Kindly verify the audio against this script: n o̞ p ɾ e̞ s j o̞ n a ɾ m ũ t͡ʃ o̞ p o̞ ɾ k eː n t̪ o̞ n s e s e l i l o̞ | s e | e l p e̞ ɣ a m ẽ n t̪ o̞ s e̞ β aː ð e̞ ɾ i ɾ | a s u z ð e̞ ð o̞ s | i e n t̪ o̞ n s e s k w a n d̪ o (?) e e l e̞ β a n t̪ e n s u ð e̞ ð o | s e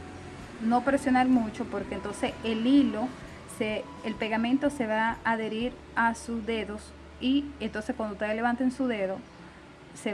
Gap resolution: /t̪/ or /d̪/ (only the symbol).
t̪